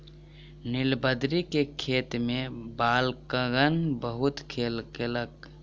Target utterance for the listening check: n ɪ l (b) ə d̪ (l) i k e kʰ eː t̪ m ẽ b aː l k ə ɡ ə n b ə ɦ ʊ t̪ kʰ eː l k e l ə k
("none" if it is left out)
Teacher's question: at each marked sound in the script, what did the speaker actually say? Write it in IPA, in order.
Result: b, ɾ

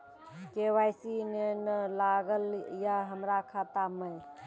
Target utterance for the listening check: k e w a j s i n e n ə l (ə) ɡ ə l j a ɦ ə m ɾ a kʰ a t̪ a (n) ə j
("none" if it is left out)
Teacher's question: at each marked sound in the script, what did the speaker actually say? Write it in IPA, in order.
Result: a, m

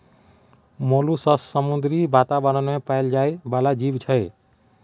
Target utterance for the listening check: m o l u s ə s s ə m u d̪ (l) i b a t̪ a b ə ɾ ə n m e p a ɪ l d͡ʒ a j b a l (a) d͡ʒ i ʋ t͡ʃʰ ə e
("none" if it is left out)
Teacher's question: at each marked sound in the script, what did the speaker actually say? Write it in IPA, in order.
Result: ɾ, a

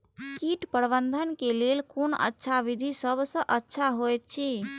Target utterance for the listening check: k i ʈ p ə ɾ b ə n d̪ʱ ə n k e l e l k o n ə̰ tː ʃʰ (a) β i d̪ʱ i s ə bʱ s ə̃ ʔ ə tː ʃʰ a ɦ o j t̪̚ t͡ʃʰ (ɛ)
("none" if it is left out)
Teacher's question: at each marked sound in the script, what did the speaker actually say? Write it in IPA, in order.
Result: a, i

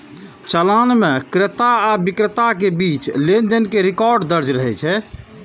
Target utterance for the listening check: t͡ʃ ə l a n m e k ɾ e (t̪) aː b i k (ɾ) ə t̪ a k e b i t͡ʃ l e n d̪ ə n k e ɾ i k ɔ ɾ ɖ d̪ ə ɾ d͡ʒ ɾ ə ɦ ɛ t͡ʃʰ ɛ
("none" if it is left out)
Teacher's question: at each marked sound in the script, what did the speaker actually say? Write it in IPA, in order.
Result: t̪, ɾ

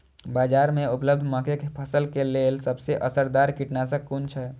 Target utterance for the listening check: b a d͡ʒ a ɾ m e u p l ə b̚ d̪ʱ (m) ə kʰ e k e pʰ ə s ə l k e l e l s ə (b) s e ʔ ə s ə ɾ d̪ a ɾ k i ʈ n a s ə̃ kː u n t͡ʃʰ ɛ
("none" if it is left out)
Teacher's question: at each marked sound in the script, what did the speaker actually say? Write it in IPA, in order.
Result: m, b

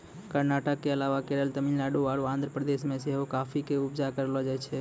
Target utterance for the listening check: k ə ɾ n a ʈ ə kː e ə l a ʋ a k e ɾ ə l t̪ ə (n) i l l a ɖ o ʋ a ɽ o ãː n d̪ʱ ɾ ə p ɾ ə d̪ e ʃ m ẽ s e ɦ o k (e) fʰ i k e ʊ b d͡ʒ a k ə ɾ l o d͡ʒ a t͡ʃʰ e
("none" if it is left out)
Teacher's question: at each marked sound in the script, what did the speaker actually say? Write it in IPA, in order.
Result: m, a

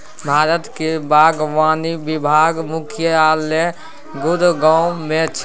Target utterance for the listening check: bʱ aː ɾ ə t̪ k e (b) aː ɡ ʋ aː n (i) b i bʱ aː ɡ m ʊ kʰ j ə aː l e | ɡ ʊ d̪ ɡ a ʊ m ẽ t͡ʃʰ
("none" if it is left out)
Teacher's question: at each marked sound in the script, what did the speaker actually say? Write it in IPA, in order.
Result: b, i

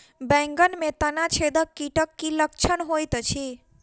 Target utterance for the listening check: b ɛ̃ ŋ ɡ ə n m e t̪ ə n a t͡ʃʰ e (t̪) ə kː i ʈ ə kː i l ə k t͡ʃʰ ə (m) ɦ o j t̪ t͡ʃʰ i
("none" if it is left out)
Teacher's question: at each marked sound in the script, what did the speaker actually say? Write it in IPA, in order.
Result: d̪, n

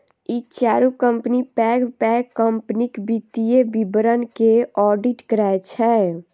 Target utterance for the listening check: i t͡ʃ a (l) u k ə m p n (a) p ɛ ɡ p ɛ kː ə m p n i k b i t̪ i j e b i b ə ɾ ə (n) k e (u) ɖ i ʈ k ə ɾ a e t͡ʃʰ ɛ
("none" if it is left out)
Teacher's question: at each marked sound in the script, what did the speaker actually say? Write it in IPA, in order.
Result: ɾ, i, n, ɔ

